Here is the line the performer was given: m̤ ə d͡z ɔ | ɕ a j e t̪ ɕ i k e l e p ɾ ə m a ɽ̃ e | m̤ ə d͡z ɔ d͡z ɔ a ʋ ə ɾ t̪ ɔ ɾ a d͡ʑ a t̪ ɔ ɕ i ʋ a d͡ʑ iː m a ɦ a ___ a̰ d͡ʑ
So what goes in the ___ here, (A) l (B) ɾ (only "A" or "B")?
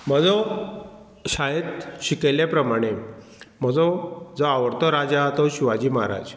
B